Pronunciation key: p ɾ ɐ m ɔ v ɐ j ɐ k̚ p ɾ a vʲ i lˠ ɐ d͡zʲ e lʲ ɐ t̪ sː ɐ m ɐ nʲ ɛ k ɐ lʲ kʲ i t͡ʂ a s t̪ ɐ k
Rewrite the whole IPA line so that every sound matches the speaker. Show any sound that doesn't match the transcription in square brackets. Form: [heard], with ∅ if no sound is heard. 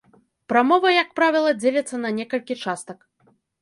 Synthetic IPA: p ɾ [a] m ɔ v ɐ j ɐ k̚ p ɾ a vʲ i lˠ ɐ d͡zʲ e lʲ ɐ t̪ sː ɐ [n] ɐ nʲ ɛ k ɐ lʲ kʲ i t͡ʂ a s t̪ ɐ k